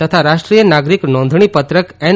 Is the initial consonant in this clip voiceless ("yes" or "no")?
yes